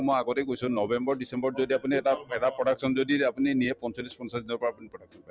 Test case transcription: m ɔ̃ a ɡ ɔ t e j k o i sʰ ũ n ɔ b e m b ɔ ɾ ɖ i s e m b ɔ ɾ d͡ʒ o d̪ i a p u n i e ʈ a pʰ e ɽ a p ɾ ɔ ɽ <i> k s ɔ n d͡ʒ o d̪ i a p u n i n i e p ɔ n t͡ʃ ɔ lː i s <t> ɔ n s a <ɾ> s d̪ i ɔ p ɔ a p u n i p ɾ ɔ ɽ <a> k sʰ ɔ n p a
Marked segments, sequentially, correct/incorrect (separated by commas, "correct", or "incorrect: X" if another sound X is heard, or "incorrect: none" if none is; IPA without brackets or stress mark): incorrect: a, incorrect: p, incorrect: none, correct